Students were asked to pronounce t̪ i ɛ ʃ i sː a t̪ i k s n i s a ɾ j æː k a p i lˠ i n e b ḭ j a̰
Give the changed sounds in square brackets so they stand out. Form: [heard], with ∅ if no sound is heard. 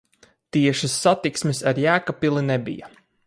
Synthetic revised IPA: t̪ i ɛ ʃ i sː a t̪ i k s [m] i s a ɾ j æː k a p i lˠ i n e b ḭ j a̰